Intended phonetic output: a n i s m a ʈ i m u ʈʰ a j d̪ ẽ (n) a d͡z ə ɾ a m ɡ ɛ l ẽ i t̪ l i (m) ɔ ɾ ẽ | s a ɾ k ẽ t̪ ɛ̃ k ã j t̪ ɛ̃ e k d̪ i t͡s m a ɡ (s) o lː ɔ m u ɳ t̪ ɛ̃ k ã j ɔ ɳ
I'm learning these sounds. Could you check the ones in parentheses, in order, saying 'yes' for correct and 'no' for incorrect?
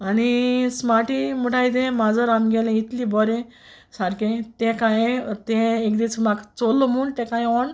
no, no, no

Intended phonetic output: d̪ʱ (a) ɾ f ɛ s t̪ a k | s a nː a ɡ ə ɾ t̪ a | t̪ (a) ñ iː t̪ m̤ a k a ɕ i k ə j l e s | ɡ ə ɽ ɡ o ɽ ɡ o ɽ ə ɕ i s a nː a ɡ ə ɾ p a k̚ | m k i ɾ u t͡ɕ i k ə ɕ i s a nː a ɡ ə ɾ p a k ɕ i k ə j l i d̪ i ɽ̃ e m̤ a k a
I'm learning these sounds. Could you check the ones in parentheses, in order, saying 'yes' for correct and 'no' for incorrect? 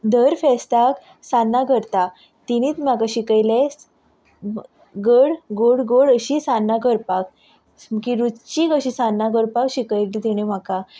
no, no

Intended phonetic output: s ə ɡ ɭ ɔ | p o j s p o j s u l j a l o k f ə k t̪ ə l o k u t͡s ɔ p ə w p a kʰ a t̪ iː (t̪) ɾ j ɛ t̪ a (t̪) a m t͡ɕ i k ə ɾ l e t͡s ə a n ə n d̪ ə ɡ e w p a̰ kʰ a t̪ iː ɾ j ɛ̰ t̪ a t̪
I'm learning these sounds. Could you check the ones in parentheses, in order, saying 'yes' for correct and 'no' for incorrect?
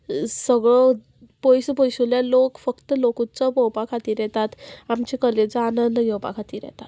no, yes

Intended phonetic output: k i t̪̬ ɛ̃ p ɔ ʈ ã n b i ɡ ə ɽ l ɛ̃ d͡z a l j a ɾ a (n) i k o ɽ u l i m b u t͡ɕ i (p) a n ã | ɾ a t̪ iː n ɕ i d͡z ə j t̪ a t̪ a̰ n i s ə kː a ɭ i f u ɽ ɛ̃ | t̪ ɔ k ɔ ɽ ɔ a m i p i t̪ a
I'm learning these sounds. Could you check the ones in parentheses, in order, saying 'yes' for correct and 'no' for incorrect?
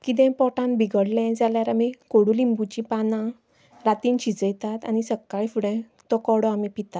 no, yes

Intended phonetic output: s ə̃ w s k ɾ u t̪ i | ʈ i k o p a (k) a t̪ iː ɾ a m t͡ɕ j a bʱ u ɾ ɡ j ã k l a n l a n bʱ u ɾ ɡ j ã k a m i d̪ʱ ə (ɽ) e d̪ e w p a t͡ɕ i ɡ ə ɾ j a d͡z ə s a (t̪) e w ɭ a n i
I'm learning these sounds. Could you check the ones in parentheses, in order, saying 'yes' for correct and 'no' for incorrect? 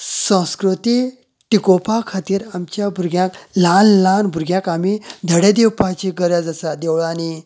no, yes, no

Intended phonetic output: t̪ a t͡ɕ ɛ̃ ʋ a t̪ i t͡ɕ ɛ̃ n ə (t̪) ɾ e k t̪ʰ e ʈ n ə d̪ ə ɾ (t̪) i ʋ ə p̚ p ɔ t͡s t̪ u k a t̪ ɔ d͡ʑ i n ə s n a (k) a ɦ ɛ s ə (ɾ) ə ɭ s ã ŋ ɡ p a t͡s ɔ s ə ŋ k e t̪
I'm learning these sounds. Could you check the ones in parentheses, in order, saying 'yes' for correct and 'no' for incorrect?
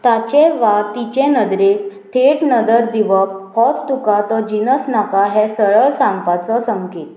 no, no, yes, no

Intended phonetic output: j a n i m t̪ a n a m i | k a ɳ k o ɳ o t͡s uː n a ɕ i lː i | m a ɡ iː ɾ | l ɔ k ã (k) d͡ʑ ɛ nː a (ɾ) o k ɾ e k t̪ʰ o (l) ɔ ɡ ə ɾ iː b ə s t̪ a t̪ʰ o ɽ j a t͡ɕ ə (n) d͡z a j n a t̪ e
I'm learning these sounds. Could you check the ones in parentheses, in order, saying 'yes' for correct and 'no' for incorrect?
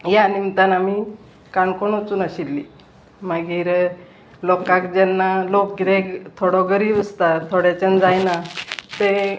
yes, no, no, yes

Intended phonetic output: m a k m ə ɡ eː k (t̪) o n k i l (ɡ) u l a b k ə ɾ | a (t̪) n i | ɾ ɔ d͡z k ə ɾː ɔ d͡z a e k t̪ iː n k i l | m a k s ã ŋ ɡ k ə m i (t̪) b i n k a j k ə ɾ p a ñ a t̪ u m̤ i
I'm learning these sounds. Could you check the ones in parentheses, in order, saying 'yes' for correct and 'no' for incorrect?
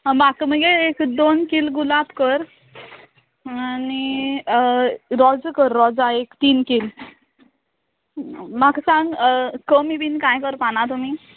no, yes, no, no

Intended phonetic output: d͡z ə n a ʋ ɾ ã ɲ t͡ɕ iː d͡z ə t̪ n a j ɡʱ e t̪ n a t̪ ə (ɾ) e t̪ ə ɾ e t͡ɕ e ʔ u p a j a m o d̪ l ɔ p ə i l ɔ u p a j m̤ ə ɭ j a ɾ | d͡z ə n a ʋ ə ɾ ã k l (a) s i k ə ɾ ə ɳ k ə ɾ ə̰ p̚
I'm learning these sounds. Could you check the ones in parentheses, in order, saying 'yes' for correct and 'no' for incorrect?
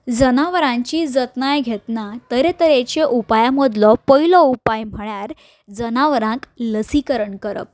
yes, no

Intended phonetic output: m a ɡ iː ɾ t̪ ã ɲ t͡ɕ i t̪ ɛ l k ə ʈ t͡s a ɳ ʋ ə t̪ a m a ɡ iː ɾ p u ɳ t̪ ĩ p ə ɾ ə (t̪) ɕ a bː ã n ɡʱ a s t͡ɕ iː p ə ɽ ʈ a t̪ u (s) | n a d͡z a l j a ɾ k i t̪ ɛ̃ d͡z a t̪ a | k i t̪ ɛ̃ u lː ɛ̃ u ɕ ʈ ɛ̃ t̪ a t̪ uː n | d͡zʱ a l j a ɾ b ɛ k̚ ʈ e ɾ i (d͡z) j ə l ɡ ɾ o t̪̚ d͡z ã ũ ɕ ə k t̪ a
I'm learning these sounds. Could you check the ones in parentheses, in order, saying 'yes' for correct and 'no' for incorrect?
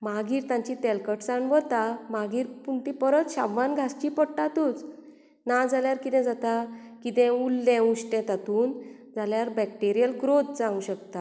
yes, no, no

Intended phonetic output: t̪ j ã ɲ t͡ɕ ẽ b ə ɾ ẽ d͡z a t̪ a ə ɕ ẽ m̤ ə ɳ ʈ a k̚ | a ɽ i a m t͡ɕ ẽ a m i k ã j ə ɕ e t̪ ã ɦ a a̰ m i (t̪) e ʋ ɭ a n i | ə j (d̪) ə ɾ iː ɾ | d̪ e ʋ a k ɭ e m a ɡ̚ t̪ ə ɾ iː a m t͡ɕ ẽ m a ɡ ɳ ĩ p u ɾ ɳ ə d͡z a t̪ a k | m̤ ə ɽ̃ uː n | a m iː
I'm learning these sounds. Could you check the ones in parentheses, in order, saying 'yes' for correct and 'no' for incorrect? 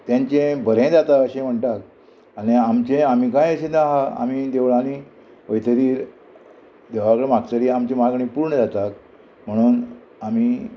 no, no

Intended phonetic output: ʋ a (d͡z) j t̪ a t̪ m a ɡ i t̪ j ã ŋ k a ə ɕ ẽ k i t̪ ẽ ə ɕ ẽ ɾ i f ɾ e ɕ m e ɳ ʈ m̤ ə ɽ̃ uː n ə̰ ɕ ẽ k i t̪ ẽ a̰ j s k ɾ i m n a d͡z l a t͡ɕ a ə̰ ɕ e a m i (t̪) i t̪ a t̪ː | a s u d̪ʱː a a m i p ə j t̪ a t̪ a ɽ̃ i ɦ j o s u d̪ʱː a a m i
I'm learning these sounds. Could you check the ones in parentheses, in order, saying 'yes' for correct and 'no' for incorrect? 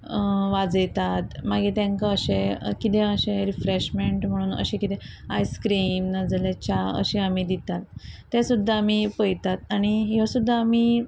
yes, no

